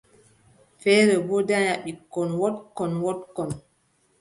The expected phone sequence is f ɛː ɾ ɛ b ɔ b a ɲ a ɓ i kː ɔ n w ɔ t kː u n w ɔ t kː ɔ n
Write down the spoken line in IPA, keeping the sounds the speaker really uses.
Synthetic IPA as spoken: f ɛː ɾ ɛ b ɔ d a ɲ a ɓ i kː ɔ n w ɔ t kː ɔ n w ɔ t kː ɔ n